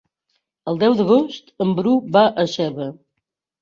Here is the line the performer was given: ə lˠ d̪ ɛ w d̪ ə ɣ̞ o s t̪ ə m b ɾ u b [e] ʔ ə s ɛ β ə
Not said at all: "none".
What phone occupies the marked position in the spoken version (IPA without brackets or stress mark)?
a